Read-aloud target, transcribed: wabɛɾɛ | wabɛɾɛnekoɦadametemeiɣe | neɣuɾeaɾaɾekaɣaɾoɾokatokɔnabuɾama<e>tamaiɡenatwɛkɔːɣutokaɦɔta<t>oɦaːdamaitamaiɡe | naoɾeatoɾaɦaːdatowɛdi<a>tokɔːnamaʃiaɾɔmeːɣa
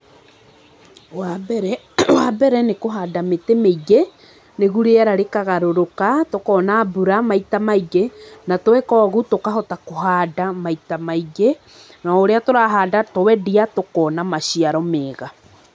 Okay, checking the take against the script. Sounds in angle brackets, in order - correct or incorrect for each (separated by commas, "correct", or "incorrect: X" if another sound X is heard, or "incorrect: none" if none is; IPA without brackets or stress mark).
incorrect: i, incorrect: k, correct